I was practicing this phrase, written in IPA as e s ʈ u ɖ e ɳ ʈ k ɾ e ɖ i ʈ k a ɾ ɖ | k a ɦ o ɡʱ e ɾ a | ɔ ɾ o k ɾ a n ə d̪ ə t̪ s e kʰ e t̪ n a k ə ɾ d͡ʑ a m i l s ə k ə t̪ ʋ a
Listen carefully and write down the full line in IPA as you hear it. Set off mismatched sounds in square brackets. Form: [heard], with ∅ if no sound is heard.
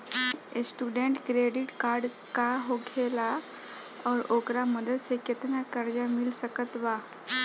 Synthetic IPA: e s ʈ u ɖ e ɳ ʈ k ɾ e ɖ i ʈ k a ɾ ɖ | k a ɦ o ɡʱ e [l] a | ɔ ɾ o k ɾ a [m] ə d̪ ə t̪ s e [k] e t̪ n a k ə ɾ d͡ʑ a m i l s ə k ə t̪ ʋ a